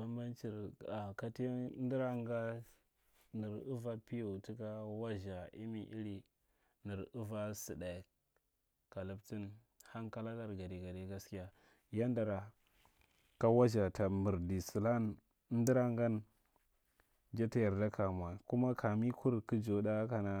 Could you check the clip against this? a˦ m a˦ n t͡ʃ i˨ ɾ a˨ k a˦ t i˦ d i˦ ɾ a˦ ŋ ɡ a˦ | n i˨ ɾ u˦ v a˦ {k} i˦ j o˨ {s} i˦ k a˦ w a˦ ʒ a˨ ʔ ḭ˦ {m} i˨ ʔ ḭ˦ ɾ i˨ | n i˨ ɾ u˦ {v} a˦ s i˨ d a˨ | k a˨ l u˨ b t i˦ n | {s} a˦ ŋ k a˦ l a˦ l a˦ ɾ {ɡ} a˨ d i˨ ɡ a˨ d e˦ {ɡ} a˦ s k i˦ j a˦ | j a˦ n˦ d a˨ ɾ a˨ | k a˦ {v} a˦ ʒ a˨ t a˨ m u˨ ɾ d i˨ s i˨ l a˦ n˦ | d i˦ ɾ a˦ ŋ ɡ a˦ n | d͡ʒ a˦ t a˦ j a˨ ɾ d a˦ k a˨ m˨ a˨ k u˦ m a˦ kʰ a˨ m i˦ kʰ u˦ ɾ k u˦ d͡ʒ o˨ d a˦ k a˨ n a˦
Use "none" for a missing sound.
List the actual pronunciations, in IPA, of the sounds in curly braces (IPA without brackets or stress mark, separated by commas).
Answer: p, t, m, v, h, ɡ, ɡ, w